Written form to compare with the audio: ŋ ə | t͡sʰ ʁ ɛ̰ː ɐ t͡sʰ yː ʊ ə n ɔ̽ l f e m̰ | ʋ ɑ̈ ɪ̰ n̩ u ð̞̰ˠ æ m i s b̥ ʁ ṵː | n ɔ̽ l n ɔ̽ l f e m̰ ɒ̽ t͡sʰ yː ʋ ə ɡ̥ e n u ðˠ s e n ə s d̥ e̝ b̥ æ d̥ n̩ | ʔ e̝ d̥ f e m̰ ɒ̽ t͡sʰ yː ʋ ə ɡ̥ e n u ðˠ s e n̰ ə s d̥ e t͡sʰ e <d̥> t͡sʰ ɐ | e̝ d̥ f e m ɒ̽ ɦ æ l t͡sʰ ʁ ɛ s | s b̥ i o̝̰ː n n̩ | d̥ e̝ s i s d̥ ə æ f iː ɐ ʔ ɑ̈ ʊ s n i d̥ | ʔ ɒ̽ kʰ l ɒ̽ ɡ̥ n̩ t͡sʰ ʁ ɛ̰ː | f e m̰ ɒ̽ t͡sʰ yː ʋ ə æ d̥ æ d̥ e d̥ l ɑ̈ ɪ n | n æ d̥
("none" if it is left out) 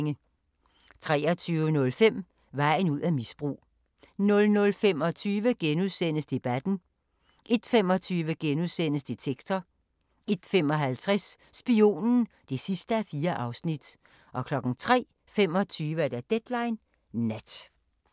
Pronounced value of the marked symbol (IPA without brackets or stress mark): ɡ̥